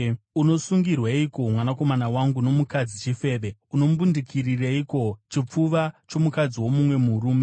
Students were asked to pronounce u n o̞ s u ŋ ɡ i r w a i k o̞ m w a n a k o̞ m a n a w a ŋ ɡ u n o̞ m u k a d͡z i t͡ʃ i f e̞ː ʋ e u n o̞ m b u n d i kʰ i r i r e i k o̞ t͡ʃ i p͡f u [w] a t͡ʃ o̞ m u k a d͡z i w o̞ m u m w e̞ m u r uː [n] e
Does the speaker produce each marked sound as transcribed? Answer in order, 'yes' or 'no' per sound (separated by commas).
no, no